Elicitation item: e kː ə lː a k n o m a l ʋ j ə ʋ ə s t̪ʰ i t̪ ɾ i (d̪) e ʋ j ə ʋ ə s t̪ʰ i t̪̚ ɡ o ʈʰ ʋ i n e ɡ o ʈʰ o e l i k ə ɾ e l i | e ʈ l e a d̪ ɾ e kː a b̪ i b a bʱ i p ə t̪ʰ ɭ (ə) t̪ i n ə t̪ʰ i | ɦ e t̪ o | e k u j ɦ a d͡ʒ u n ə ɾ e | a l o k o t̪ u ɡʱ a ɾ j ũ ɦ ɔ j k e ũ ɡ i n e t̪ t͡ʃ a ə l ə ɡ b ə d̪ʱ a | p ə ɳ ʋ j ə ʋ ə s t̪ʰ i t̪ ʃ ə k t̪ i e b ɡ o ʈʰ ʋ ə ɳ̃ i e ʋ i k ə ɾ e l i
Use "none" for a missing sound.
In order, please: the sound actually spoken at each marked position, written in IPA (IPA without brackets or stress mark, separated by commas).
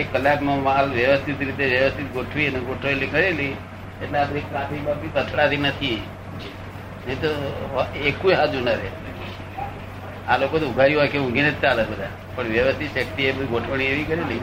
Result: t̪, a